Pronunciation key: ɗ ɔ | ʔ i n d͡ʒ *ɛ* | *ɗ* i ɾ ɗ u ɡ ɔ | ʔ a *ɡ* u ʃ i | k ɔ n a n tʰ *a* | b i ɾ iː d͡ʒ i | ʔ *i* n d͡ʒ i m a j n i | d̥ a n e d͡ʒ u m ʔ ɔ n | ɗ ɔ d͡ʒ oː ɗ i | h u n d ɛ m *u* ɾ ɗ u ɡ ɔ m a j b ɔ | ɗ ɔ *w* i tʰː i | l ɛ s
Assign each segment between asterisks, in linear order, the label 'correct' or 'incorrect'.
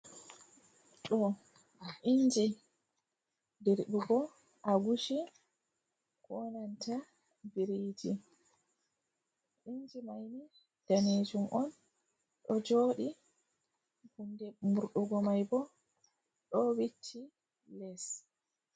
incorrect, incorrect, correct, correct, correct, correct, correct

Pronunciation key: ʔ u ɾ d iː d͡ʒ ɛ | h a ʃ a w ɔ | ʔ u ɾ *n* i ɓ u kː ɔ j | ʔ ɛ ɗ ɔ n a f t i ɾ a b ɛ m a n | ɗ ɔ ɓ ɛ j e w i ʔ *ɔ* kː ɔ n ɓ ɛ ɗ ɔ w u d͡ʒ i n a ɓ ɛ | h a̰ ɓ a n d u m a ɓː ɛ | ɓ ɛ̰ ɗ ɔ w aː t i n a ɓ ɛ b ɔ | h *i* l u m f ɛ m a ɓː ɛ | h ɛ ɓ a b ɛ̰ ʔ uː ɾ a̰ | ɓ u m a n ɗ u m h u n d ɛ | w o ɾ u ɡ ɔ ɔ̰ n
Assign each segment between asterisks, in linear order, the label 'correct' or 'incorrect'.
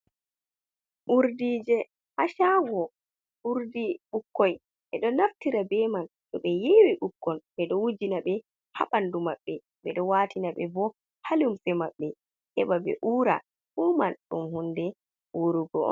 incorrect, incorrect, incorrect

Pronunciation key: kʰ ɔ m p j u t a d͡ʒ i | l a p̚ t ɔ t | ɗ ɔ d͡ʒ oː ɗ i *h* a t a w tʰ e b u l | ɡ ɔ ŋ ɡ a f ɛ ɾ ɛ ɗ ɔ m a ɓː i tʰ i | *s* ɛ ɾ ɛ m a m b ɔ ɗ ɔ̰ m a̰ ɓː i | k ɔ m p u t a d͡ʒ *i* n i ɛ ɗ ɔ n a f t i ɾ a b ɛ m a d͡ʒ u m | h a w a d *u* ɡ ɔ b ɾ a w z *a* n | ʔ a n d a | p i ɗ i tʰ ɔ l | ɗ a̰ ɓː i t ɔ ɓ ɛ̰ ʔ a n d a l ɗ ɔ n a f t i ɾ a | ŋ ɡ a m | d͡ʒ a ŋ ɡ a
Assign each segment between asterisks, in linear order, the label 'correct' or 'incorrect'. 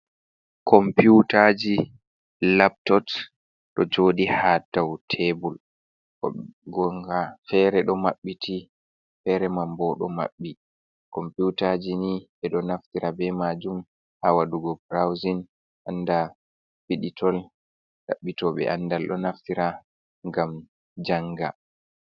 correct, incorrect, correct, correct, incorrect

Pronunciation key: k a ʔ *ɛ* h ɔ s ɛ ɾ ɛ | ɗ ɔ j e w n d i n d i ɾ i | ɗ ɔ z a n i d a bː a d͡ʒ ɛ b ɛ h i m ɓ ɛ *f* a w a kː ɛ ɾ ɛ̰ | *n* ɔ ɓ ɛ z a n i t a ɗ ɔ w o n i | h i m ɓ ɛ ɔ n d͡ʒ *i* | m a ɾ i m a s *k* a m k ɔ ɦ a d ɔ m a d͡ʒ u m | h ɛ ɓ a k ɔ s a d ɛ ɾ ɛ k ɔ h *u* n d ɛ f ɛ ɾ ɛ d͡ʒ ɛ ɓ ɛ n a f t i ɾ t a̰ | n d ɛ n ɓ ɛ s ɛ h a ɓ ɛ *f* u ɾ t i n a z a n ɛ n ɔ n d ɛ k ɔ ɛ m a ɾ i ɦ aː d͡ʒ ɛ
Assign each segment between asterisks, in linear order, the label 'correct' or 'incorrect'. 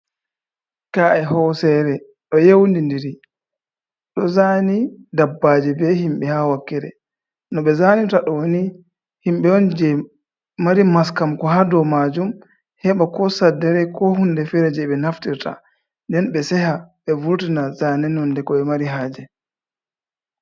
correct, incorrect, correct, incorrect, correct, correct, incorrect

